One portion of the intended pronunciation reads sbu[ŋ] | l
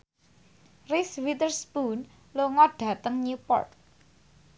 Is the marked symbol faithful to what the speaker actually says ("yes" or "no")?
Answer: no